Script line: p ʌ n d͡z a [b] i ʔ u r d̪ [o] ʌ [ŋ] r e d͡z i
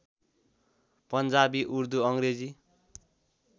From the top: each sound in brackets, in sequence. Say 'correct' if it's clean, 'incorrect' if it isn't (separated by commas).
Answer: correct, incorrect, correct